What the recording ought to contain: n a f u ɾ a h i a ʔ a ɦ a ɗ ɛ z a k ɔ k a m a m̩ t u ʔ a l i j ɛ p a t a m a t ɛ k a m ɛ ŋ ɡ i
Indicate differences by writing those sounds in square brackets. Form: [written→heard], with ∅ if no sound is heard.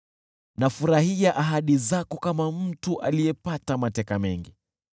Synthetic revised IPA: n a f u ɾ a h i a ʔ a ɦ a ɗ [ɛ→i] z a k ɔ k a m a m̩ t u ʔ a l i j ɛ p a t a m a t ɛ k a m ɛ ŋ ɡ i